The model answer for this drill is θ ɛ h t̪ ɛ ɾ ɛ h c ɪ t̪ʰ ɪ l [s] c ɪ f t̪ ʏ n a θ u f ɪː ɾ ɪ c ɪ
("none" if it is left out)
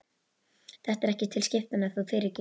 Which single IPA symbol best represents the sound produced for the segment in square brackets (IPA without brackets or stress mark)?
s